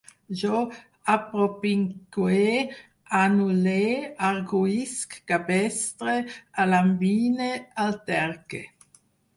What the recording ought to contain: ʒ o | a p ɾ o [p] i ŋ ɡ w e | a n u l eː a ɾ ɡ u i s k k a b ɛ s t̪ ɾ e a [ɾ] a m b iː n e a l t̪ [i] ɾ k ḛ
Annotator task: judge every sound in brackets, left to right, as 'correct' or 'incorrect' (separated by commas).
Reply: correct, incorrect, incorrect